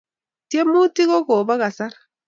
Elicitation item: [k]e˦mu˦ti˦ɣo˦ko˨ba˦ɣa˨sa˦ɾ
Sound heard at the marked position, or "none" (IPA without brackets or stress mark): t